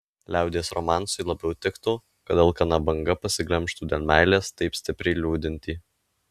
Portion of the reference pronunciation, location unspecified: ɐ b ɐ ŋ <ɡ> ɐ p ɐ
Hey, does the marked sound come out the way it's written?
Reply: yes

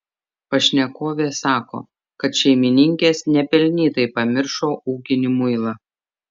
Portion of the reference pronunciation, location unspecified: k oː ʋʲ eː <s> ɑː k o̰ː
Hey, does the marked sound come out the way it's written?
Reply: yes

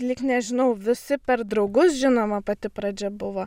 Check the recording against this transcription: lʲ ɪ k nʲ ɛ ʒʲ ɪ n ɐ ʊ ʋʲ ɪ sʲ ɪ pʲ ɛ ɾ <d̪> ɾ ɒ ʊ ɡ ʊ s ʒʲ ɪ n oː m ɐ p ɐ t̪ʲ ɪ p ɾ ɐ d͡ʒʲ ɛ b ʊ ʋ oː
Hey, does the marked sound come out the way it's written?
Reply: yes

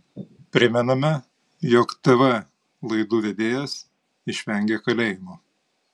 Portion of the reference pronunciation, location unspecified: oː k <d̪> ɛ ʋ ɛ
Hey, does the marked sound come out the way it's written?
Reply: no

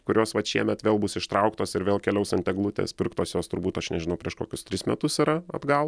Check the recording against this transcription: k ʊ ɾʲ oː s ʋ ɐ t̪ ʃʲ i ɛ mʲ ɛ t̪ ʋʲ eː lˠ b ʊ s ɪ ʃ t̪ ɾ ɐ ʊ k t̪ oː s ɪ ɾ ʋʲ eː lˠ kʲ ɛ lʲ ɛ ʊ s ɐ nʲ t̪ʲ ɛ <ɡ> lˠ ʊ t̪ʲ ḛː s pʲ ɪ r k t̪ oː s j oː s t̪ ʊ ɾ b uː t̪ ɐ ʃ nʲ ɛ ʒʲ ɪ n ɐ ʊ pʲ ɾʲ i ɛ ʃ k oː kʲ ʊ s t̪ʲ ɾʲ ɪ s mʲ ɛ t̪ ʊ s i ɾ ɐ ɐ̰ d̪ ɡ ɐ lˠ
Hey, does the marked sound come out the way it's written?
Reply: yes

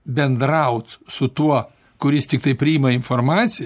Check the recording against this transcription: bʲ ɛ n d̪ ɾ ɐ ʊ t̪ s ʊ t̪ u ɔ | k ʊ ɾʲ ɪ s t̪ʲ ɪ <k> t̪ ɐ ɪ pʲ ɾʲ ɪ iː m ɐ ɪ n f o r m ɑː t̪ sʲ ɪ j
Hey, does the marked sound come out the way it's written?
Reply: yes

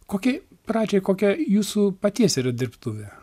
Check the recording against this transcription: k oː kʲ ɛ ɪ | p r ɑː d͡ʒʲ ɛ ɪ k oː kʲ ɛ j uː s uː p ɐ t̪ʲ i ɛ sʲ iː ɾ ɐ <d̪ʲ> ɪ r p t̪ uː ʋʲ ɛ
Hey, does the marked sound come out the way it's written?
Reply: yes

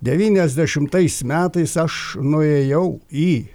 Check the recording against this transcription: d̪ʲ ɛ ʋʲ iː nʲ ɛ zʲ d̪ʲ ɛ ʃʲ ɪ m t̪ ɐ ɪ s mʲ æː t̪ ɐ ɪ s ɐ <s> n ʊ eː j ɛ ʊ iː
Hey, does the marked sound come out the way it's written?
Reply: no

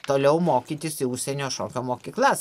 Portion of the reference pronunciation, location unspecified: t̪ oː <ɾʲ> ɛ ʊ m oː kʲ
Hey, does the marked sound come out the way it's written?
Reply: no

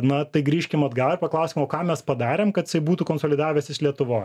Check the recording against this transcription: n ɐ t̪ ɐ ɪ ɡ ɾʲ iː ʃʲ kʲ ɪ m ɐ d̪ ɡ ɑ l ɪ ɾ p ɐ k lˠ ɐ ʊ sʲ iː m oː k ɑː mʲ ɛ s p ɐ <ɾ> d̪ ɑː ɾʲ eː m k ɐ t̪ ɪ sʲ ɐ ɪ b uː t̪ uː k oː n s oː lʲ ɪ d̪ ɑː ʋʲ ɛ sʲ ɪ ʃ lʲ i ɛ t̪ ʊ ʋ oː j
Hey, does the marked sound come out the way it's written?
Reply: no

